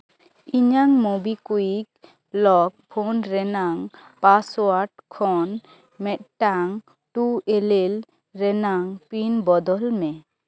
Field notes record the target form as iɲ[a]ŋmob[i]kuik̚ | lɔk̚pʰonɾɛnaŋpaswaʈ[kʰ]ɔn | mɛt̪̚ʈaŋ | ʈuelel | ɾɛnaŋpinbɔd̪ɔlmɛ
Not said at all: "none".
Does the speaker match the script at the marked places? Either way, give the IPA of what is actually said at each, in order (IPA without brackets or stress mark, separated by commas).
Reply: a, i, kʰ